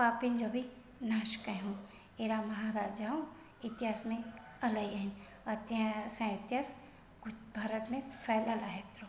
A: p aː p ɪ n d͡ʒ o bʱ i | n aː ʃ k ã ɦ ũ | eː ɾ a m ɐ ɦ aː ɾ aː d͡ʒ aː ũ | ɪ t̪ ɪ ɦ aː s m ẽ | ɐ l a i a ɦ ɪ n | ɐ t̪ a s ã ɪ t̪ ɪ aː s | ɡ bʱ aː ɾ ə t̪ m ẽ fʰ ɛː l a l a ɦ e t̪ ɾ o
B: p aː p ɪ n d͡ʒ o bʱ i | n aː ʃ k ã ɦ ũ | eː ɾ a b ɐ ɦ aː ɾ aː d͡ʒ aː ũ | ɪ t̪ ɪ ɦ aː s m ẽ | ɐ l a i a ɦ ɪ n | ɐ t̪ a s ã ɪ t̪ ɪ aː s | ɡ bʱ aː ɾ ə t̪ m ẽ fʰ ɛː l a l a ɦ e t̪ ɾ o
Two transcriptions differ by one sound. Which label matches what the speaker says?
A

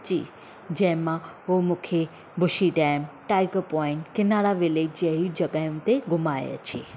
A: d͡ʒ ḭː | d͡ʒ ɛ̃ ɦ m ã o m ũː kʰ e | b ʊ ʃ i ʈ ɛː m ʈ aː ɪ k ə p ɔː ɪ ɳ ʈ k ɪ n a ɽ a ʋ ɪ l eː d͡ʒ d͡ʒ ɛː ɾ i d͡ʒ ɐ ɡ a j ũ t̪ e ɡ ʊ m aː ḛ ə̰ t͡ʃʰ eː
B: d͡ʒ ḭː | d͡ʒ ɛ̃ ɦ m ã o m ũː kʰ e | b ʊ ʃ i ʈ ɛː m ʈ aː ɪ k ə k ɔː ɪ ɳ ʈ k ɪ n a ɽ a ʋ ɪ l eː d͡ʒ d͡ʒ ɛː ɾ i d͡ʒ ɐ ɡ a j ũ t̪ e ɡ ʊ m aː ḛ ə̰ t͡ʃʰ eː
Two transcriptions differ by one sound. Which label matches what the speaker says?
A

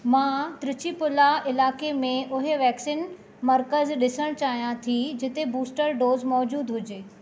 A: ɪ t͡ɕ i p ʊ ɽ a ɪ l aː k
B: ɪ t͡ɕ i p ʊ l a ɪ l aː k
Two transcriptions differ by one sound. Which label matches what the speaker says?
B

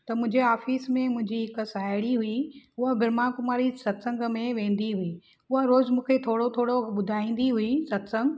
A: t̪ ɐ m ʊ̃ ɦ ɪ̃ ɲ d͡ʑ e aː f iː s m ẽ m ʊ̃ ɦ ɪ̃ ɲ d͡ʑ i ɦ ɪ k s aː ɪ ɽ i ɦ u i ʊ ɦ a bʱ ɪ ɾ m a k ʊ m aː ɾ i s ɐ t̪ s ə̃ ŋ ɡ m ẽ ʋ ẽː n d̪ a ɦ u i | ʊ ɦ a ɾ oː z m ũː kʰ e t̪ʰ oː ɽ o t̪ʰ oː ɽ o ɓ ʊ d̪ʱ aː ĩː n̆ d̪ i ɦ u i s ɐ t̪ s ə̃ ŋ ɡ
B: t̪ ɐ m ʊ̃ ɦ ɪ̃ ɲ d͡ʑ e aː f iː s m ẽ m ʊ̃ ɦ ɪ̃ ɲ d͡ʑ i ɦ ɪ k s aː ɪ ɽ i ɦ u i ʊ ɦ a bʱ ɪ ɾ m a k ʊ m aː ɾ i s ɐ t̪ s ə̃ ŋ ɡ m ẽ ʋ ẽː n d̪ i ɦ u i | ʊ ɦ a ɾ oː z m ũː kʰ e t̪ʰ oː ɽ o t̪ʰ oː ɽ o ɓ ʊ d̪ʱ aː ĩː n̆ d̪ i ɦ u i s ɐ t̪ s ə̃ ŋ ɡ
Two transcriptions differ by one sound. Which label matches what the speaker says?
B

